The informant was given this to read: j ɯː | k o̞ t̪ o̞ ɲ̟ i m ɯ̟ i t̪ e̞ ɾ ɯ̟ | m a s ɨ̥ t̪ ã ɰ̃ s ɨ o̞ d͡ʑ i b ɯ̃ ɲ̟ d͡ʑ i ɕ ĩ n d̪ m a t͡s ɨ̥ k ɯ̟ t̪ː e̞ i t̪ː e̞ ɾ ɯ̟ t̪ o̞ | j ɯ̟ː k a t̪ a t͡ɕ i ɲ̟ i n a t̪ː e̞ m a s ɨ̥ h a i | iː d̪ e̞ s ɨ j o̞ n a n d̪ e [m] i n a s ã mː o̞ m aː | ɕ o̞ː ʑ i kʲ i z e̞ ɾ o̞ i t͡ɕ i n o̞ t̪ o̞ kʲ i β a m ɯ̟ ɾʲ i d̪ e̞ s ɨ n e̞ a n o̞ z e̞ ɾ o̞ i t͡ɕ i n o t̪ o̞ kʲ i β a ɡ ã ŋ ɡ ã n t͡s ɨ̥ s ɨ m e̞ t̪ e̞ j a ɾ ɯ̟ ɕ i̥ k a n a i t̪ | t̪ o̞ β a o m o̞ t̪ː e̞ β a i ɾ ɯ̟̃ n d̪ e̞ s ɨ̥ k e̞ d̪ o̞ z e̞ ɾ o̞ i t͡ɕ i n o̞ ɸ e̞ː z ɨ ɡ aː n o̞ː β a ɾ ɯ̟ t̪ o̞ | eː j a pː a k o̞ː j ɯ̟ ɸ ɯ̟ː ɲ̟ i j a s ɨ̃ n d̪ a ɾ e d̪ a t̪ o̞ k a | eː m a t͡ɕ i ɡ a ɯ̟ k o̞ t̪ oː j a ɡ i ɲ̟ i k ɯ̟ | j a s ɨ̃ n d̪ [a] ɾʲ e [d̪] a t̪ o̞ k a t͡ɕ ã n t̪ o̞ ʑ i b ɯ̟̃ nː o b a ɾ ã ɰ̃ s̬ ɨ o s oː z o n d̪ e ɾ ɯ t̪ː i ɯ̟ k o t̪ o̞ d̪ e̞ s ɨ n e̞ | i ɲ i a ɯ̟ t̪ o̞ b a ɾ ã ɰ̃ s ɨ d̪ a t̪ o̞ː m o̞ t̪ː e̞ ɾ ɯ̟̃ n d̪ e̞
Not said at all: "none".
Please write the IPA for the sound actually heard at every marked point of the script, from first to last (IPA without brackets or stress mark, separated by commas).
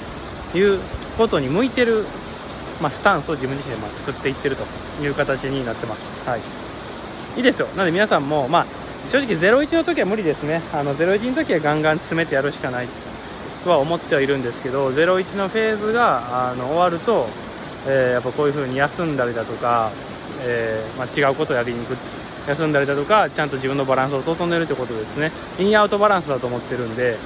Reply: m, a, d̪